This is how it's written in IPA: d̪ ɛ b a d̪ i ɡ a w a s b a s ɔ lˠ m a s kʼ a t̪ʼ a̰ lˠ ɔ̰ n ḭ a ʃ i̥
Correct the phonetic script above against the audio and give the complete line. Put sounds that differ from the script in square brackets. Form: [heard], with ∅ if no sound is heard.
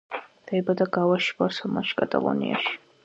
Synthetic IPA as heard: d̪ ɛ b a d̪ [a] ɡ a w a [ʃ] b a s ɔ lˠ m a [ʃ] kʼ a t̪ʼ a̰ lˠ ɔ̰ n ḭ a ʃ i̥